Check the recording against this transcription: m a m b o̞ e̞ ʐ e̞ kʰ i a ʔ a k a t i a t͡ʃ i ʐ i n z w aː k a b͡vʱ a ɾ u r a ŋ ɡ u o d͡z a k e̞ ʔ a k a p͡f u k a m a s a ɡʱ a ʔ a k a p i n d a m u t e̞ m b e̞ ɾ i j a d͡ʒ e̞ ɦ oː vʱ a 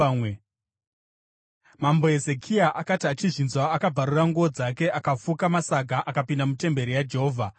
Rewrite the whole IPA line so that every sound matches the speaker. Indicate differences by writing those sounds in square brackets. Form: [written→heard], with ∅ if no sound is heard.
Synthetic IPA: m a m b o̞ e̞ [ʐ→z] e̞ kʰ i a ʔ a k a t i a t͡ʃ i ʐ i n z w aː k a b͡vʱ a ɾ u r a ŋ ɡ u o d͡z a k e̞ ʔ a k a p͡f u k a m a s a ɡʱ a ʔ a k a p i n d a m u t e̞ m b e̞ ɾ i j a d͡ʒ e̞ ɦ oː vʱ a